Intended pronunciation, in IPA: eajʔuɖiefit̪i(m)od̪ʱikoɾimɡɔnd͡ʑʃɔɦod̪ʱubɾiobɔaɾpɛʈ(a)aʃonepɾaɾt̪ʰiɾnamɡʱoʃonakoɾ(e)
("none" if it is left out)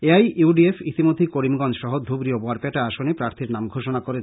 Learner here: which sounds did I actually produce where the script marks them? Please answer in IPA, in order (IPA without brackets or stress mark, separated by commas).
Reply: m, a, e